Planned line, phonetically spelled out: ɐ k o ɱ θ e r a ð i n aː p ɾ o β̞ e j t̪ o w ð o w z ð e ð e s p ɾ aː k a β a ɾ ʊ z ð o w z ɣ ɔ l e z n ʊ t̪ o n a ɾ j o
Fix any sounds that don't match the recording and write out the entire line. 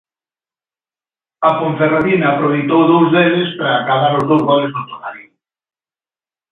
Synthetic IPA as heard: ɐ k o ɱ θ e r a ð i n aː p ɾ o β̞ e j t̪ o w ð o w z ð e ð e s p ɾ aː k a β a ɾ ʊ z ð o w z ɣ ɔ l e z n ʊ t̪ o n a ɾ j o